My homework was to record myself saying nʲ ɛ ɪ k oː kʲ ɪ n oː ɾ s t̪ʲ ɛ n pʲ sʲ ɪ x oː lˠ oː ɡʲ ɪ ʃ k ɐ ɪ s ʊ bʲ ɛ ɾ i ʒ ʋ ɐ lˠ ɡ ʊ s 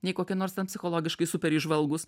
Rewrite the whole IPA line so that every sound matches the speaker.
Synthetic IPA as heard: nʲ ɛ ɪ k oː kʲ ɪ n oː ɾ s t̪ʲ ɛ n pʲ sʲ ɪ x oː lˠ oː ɡʲ ɪ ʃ k ɐ ɪ s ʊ pʲ ɛ ɾ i ʒ ʋ ɐ lˠ ɡ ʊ s